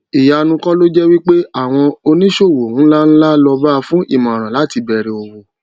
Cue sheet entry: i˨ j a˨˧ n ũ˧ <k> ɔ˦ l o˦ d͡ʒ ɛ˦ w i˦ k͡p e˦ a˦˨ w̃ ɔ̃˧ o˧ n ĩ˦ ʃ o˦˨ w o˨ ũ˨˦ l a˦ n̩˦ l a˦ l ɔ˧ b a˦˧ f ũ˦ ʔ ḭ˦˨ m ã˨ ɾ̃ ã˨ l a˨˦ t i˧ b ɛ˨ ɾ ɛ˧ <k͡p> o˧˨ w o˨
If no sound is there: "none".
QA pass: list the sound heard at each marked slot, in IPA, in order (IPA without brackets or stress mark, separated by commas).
k, none